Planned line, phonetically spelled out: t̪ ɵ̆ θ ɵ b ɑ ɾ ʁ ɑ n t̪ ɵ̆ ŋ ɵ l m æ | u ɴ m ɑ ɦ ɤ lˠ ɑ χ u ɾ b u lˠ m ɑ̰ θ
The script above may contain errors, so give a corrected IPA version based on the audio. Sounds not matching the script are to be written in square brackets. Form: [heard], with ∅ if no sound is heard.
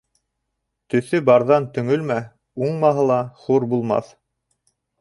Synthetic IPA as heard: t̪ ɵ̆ θ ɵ b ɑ ɾ [ð] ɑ n t̪ ɵ̆ ŋ ɵ l m æ | u ɴ m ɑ ɦ ɤ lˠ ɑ χ u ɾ b u lˠ m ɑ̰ θ